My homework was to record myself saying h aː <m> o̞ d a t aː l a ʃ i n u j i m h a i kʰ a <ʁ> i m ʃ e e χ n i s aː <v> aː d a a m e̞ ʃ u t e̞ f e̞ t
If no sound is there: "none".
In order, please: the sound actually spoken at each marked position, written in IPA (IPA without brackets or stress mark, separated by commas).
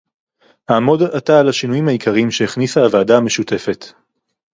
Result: m, ʁ, v